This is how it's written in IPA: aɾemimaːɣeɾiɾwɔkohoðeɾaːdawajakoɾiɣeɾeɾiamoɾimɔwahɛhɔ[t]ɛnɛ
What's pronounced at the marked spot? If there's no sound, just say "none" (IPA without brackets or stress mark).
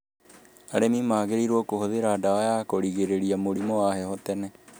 t